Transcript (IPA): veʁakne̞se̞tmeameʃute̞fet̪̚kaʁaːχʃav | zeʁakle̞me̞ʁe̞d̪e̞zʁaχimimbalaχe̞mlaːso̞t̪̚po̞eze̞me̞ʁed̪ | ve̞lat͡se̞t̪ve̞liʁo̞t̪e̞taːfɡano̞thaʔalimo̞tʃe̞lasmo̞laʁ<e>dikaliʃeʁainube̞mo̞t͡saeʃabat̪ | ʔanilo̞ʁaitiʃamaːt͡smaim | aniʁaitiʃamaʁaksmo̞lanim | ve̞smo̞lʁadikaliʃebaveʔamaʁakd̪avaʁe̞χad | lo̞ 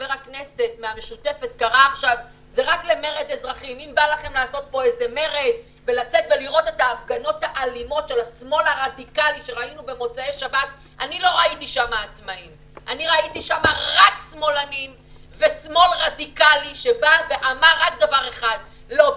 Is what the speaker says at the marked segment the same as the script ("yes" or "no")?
no